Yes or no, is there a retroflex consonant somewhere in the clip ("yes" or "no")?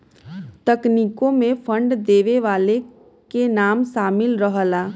yes